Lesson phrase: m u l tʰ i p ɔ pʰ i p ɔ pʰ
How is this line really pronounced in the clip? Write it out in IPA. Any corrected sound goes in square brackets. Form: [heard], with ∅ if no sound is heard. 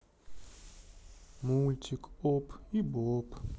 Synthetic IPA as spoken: m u l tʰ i [k] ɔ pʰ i [b] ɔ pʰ